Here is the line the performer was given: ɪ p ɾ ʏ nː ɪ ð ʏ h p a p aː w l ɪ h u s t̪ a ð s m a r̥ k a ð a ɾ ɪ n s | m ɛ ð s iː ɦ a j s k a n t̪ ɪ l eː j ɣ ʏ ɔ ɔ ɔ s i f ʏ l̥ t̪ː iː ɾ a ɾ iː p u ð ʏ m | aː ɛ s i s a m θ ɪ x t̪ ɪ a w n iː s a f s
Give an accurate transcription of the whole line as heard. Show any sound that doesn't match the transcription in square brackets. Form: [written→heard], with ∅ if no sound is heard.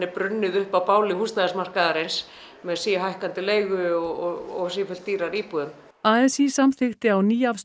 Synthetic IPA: ɪ p ɾ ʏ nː ɪ ð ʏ h p a p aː w l ɪ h u s t̪ a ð s m a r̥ k a ð a ɾ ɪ n s | m ɛ ð s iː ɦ a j [s→h] k a n t̪ ɪ l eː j ɣ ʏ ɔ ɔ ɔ s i f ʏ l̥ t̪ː iː ɾ a ɾ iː p u ð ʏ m | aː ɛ s i s a m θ ɪ x t̪ ɪ a w n iː [s→∅] a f s

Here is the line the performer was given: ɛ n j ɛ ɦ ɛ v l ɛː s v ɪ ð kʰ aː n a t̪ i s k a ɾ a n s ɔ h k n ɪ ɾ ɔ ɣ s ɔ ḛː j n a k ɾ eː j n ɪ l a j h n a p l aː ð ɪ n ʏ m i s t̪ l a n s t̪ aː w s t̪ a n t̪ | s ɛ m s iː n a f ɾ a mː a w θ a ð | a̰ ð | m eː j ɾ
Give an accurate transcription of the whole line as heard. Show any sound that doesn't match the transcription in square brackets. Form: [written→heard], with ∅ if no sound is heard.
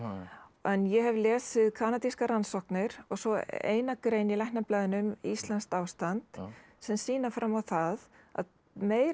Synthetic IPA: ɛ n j ɛ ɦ ɛ v l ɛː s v ɪ ð kʰ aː n a t̪ i s k a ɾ a n s ɔ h k n ɪ ɾ ɔ ɣ s ɔ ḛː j n a k ɾ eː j n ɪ l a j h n a p l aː ð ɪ n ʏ m i s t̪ l a n s t̪ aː w s t̪ a n t̪ | s ɛ m s iː n a f ɾ a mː a w θ a ð | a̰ ð | m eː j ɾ

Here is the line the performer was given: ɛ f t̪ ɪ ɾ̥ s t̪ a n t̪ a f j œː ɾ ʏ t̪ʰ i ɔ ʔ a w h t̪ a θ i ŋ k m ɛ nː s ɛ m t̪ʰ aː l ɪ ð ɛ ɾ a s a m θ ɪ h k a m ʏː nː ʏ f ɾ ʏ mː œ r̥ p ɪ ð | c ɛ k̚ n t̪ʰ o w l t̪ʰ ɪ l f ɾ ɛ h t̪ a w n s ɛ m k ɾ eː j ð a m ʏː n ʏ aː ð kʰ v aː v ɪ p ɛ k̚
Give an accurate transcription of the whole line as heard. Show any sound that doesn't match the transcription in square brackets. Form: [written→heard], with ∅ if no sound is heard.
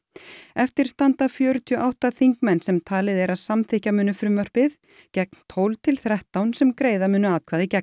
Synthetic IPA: ɛ f t̪ ɪ ɾ̥ s t̪ a n t̪ a f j œː ɾ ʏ t̪ʰ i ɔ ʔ a w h t̪ a θ i ŋ k m ɛ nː s ɛ m t̪ʰ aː l ɪ ð ɛ ɾ a s a m θ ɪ h [k→c] a m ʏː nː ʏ f ɾ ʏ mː œ r̥ p ɪ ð | c ɛ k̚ n t̪ʰ o w l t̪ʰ ɪ l [f→θ] ɾ ɛ h t̪ a w n s ɛ m k ɾ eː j ð a m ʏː n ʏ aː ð kʰ v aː [v→ð] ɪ [p→c] ɛ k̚

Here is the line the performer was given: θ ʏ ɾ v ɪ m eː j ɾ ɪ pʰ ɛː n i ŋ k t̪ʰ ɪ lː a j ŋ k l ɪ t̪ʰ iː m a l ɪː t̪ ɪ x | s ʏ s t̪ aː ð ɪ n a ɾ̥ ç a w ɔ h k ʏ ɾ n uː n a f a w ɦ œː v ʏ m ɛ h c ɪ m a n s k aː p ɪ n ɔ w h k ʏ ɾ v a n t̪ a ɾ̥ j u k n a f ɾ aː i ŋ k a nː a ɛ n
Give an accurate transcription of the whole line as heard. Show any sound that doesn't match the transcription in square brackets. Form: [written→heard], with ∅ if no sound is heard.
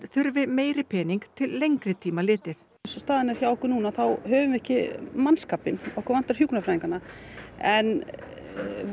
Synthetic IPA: θ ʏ ɾ v ɪ m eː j ɾ ɪ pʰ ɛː n i ŋ k t̪ʰ ɪ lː [a→e] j ŋ k [l→ɾ] ɪ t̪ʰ iː m a l ɪː t̪ ɪ [x→θ] | s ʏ s t̪ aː ð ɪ n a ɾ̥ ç a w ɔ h k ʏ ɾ n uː n a [f→θ] a w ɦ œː v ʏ m ɛ h c ɪ m a n s k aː p ɪ n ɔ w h k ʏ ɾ v a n t̪ a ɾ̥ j u k n a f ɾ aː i ŋ k a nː a ɛ n

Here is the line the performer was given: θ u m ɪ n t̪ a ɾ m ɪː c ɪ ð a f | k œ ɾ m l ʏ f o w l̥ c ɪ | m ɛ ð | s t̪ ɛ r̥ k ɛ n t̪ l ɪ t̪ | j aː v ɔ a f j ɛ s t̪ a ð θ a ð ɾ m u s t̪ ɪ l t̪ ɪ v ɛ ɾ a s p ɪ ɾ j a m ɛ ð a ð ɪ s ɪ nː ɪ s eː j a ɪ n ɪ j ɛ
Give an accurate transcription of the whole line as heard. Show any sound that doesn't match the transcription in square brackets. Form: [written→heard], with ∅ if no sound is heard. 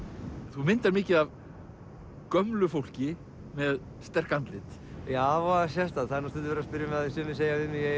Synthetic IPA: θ u m ɪ n t̪ a ɾ m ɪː c ɪ ð a [f→v] | k œ [ɾ→∅] m l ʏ f o w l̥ c ɪ | m ɛ ð | s t̪ ɛ r̥ k [ɛ→a] n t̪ l ɪ t̪ | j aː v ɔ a [f→s] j ɛ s t̪ a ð θ a ð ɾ [m→n] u s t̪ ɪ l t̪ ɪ v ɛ ɾ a s p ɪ ɾ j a m ɛ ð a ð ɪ s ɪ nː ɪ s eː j a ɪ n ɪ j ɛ

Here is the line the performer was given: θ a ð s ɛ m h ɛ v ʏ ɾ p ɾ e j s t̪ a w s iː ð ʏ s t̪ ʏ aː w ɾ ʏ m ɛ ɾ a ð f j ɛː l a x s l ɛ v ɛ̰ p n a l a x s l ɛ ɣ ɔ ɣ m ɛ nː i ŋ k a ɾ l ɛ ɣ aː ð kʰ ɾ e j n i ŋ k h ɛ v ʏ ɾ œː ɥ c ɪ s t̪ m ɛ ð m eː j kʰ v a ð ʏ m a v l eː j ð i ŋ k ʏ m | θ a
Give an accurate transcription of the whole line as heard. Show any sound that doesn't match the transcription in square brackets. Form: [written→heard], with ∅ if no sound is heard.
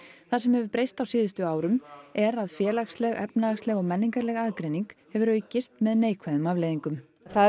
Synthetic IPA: θ a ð s ɛ m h ɛ v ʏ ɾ p ɾ e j s t̪ a w s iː ð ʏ s t̪ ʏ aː w ɾ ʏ m ɛ ɾ a ð f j ɛː l a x s l ɛ [v→ɣ] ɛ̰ p n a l a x s l ɛ ɣ ɔ ɣ m ɛ nː i ŋ k a ɾ l ɛ ɣ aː ð [kʰ→k] ɾ e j n i ŋ k h ɛ v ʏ ɾ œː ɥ c ɪ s t̪ m ɛ ð [m→n] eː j kʰ v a ð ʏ m a v l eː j ð i ŋ k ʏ m | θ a

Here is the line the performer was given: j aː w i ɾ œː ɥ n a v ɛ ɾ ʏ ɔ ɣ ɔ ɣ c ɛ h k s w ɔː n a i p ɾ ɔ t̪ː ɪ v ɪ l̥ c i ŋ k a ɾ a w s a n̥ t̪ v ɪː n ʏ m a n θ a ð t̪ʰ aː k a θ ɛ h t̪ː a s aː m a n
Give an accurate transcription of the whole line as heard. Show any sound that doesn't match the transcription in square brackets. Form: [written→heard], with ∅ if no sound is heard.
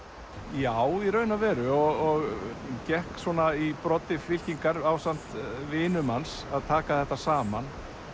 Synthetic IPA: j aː w i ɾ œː ɥ n a v ɛ ɾ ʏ ɔ ɣ ɔ ɣ c ɛ h k s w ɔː n a i p ɾ ɔ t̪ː ɪ [v→f] ɪ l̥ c i ŋ k a ɾ a w s a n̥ t̪ v ɪː n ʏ m a n [θ→s] a ð t̪ʰ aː k a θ ɛ h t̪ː a s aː m a n

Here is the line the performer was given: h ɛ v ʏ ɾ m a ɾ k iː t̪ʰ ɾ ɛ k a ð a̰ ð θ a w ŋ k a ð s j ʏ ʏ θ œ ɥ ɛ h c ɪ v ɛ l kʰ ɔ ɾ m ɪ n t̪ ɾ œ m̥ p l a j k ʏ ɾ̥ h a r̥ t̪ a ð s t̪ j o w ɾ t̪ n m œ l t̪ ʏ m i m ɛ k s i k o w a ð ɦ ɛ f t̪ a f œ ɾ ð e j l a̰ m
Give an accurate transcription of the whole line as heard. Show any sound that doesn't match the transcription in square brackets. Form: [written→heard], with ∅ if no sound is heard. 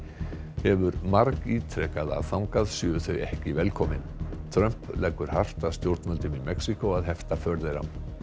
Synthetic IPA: h ɛ v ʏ ɾ m a ɾ k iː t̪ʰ ɾ ɛ k a ð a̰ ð θ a w ŋ k a ð s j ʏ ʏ θ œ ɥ ɛ h c ɪ v ɛ l kʰ ɔ [ɾ→∅] m ɪ n [t̪→t̪ʰ] ɾ œ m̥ p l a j k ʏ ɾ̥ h a r̥ t̪ a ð s t̪ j o w ɾ t̪ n m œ l t̪ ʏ m i m ɛ k s i k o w a ð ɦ ɛ f t̪ a f œ ɾ ð e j [l→ɾ] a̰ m

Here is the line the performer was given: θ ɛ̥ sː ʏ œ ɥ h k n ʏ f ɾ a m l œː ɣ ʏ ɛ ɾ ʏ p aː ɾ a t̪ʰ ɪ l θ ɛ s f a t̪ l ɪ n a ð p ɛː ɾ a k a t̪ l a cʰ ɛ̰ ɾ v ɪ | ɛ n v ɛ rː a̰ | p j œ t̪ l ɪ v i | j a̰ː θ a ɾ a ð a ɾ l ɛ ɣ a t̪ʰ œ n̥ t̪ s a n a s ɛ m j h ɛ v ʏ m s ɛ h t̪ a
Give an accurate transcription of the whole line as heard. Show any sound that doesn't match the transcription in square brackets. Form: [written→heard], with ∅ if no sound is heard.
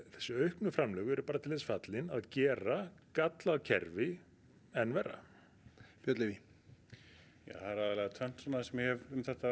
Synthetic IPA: θ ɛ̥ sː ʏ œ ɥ h k n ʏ f ɾ a m l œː ɣ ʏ ɛ ɾ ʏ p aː ɾ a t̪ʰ ɪ l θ ɛ s f a t̪ l ɪ n a ð [p→c] ɛː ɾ a k a t̪ l a cʰ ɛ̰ ɾ v ɪ | ɛ n v ɛ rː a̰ | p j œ t̪ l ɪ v i | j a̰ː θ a ɾ a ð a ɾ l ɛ ɣ a t̪ʰ œ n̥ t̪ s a n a s ɛ m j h ɛ v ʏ m [s→θ] ɛ h t̪ a

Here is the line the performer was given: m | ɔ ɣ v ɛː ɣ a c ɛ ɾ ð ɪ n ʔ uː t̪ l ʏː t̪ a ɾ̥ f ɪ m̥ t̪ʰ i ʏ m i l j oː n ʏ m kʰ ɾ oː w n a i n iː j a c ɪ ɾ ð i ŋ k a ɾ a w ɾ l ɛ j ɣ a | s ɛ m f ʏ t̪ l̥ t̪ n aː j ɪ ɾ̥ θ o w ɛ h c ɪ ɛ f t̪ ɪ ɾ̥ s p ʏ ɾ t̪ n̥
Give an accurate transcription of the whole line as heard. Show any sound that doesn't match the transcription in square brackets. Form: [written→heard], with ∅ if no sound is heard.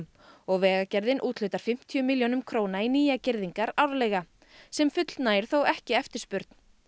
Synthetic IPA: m | ɔ ɣ v ɛː ɣ a c ɛ ɾ ð ɪ n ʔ uː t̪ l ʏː t̪ a ɾ̥ f ɪ m̥ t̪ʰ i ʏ m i l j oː n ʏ m kʰ ɾ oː w n a i n iː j a c ɪ ɾ ð i ŋ k a ɾ a w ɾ l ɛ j ɣ a | s ɛ m f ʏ t̪ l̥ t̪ n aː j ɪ ɾ̥ θ o w ɛ h c ɪ ɛ f t̪ ɪ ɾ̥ s p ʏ ɾ t̪ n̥

